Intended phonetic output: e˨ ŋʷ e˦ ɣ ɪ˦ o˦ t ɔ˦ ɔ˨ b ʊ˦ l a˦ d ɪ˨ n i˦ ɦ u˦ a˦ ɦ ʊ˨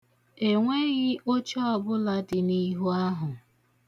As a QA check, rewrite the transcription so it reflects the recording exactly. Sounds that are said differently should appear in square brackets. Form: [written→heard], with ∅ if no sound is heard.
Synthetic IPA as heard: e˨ ŋʷ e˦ ɣ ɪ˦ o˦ [t→t͡ʃ] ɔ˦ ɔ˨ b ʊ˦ l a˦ d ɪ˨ n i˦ ɦ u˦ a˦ ɦ ʊ˨